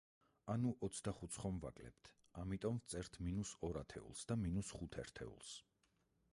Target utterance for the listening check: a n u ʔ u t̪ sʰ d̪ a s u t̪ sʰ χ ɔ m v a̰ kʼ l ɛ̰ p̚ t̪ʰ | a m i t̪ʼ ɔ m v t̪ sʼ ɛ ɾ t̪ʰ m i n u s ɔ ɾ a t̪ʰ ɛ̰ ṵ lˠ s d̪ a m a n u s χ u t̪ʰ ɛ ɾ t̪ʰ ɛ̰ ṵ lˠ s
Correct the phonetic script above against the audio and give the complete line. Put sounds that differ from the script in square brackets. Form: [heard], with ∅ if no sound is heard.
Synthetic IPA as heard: a n u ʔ [ɔ] t̪ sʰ d̪ a [χ] u t̪ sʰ χ ɔ m v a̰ kʼ l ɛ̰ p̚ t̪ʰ | a m i t̪ʼ ɔ m v t̪ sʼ ɛ ɾ t̪ʰ m i n u s ɔ ɾ a t̪ʰ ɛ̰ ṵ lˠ s d̪ a m [i] n u s χ u t̪ʰ ɛ ɾ t̪ʰ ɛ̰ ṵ lˠ s